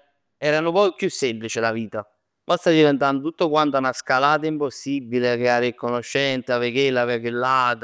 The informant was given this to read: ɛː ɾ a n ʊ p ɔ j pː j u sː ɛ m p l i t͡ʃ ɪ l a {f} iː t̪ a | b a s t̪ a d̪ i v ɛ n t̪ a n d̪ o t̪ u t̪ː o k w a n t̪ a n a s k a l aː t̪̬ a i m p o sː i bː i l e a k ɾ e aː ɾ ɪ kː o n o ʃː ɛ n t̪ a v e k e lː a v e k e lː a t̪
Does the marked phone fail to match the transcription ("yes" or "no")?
yes